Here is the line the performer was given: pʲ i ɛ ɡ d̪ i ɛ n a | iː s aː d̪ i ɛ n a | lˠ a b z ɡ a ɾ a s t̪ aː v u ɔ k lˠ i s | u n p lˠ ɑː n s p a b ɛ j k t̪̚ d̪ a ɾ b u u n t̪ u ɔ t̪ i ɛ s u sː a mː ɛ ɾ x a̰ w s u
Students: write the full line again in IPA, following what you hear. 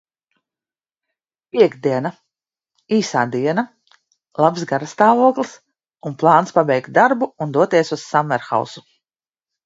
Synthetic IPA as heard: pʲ i ɛ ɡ d̪ i ɛ n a | iː s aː d̪ i ɛ n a | lˠ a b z ɡ a ɾ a s t̪ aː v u ɔ k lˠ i s | u n p lˠ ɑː n s p a b ɛ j k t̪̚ d̪ a ɾ b u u n d̪ u ɔ t̪ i ɛ s u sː a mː ɛ ɾ x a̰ w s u